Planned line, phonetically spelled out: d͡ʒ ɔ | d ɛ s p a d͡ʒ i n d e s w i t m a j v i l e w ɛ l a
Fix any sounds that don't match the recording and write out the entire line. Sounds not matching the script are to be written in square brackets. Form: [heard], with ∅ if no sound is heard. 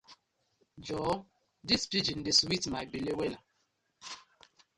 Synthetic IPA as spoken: d͡ʒ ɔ | d [i] s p [i] d͡ʒ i n d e s w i t m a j [b] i l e w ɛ l a

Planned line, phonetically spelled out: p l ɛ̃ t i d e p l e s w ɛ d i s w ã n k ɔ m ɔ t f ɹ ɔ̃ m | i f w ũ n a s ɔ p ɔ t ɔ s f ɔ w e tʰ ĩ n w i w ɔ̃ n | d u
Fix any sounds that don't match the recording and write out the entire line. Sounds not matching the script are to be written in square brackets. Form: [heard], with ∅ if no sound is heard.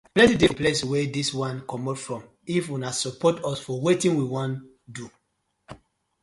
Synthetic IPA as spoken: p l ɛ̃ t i d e p l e s w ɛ d i s w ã n k ɔ m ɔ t f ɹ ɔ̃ m | i f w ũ n a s ɔ p ɔ t ɔ s f ɔ w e [t] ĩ n w i w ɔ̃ n | d u

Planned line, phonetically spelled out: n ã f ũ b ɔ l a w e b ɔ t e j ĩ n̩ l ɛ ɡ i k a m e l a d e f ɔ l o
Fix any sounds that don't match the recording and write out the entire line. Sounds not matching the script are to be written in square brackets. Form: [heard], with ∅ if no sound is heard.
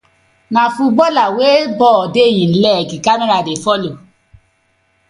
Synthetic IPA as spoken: n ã f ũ b ɔ l a w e b ɔ [d] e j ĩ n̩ l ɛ ɡ i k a m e [ɾ] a d e f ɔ l o

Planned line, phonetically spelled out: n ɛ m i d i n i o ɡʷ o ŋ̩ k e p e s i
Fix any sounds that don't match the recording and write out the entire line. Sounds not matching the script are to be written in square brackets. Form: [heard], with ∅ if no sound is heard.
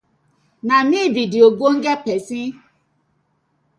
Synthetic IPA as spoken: n [a] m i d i [d] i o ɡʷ o ŋ̩ [ɡ] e p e s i

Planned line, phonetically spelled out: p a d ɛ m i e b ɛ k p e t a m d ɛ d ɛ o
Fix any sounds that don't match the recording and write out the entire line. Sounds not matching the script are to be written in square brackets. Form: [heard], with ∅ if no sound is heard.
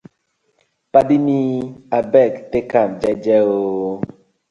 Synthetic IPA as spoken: p a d [i] m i [a] b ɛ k [t] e [k] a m [d͡ʒ] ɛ [d͡ʒ] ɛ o

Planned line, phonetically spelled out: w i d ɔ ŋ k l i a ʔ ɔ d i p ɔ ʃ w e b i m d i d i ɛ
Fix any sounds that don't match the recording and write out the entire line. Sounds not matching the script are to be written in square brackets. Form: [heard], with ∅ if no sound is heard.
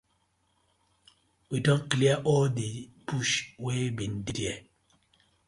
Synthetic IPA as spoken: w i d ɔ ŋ k l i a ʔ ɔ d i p [u] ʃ w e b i [n] d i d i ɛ

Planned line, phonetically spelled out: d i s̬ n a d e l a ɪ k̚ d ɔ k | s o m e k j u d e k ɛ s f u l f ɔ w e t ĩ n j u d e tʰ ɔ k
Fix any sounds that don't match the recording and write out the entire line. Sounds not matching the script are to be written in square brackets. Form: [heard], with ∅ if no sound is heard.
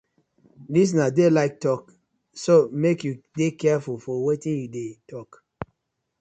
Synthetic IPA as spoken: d i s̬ n a d e l a ɪ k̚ [t] ɔ k | s o m e k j u d e k ɛ [∅] f u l f ɔ w e t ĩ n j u d e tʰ ɔ k

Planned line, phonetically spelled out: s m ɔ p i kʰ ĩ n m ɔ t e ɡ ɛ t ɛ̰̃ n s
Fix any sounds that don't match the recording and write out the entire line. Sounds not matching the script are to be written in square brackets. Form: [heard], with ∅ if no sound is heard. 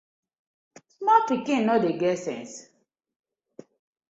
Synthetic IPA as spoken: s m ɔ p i [k] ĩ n [n] ɔ [d] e ɡ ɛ [s] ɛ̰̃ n s

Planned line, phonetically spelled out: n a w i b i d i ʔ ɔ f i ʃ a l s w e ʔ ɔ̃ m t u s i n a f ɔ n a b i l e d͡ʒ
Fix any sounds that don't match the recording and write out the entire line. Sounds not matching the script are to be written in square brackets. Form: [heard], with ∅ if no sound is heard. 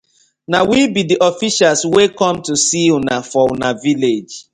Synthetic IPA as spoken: n a w i b i d i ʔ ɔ f i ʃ a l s w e [k] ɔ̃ m t u s i n a f ɔ n a [v] i l e d͡ʒ

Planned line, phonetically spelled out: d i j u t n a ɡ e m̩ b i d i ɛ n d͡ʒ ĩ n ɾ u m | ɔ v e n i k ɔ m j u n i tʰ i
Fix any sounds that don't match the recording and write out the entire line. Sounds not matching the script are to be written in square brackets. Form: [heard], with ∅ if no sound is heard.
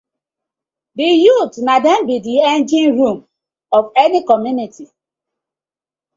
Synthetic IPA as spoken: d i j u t n a [d] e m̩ b i d i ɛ n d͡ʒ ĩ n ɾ u m | ɔ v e n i k ɔ m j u n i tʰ i

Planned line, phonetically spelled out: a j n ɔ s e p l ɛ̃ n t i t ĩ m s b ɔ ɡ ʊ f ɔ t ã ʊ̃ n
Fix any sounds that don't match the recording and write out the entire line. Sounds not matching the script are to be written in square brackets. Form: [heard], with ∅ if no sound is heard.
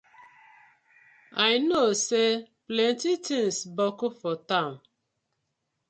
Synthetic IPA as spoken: a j n [o] s e p l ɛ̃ n t i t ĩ [ŋ] s b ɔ [k] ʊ f ɔ t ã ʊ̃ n

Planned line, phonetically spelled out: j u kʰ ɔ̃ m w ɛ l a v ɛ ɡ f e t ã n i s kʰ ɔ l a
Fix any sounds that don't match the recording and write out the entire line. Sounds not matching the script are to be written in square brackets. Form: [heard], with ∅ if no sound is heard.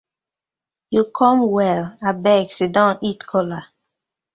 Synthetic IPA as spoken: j u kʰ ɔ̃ m w ɛ l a [b] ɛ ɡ [s] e [d] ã n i [t] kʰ ɔ l a

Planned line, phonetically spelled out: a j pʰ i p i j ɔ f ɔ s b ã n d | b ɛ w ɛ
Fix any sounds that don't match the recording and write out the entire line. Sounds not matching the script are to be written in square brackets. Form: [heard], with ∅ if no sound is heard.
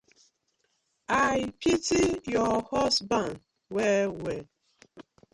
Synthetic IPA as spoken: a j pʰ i [t] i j ɔ [h] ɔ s b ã n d | [w] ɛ w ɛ

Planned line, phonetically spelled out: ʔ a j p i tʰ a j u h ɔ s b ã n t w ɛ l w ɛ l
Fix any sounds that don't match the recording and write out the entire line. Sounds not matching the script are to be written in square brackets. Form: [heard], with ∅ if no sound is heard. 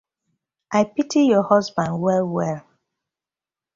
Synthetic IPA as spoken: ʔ a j p i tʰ [i] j [ɔ] h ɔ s b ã n [d] w ɛ l w ɛ l

